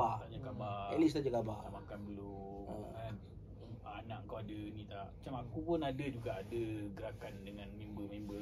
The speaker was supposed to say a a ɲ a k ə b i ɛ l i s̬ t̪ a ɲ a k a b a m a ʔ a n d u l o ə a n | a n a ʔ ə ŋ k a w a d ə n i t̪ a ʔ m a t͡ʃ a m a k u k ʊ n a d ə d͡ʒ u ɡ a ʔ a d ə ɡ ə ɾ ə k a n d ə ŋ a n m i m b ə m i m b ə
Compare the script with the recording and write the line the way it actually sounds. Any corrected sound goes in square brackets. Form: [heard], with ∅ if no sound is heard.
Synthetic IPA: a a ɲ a k [a] b [a] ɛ l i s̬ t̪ a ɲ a k a b a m a [k] a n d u l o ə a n | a n a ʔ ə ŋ k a w a d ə n i t̪ a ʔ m a t͡ʃ a m a k u [p] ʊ n a d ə d͡ʒ u ɡ a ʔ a d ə ɡ ə ɾ [a] k a n d ə ŋ a n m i m b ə m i m b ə